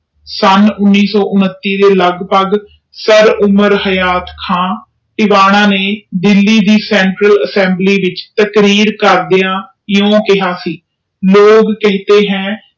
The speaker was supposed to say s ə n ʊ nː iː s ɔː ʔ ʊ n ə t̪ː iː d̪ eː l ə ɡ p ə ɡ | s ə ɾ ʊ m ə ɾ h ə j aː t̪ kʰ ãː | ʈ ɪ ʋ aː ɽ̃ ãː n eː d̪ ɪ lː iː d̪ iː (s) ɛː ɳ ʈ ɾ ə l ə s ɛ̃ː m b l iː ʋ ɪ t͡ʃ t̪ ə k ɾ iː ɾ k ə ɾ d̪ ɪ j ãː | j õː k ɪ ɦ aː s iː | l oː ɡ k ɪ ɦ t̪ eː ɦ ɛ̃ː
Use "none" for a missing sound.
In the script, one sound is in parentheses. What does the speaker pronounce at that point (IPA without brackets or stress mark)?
s